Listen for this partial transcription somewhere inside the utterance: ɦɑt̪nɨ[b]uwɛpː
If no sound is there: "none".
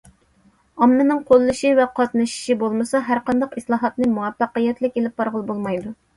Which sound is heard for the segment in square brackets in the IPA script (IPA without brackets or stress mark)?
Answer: m